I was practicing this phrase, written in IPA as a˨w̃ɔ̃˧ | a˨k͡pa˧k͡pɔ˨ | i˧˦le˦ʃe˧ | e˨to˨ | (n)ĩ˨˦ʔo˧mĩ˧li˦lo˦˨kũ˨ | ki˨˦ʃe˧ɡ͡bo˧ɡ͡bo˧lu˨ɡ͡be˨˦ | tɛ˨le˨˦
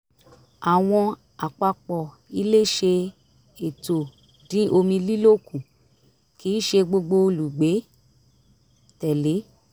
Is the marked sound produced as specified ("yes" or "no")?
no